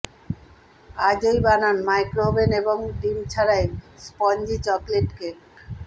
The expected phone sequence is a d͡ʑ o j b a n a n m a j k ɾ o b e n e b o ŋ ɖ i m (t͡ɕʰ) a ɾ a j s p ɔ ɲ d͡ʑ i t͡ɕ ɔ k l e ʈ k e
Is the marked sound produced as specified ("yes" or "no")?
yes